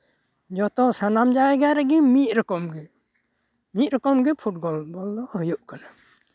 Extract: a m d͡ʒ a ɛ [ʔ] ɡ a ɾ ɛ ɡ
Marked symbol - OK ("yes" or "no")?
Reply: no